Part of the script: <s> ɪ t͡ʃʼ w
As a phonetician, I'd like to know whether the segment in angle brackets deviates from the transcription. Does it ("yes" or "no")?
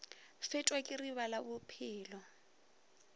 yes